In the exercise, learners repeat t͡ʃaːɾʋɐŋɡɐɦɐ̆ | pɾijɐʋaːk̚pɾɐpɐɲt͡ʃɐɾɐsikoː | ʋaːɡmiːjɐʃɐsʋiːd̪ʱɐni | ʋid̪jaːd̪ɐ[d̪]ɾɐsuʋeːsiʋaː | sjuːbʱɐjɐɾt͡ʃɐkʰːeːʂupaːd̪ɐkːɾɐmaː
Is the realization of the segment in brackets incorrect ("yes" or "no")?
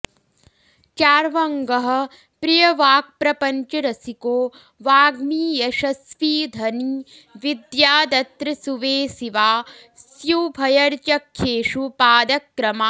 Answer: yes